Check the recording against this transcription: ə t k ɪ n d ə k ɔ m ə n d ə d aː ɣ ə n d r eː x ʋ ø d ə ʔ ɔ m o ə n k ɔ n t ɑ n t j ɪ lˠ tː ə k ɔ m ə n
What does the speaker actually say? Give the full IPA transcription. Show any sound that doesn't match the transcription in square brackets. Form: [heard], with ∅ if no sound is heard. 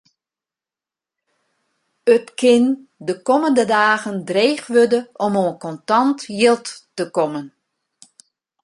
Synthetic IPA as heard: ə t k ɪ n d ə k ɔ m ə n d ə d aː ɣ ə n d r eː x ʋ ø d ə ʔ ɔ m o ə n k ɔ n t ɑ n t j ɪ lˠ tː ə k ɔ m ə n